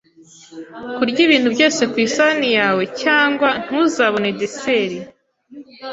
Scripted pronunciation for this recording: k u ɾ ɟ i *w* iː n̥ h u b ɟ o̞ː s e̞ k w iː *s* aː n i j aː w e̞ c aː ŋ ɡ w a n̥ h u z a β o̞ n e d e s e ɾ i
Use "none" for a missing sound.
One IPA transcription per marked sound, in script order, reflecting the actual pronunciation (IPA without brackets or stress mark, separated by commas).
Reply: β, s